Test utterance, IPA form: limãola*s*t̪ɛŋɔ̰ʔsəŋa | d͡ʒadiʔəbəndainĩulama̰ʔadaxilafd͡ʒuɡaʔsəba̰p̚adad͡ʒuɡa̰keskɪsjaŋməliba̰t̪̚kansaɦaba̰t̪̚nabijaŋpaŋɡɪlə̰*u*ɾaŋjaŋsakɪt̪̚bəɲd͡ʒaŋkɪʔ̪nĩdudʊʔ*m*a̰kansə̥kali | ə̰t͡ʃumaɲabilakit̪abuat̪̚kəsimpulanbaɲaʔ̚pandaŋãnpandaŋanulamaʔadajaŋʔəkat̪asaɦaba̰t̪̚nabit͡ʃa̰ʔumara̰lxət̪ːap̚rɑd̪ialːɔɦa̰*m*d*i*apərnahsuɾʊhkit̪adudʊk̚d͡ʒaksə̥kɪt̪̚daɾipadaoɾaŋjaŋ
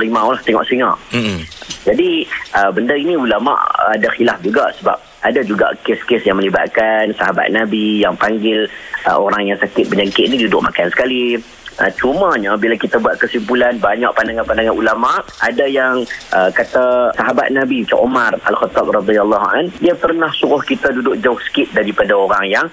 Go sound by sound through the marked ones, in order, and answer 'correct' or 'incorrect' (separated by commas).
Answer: incorrect, incorrect, correct, incorrect, correct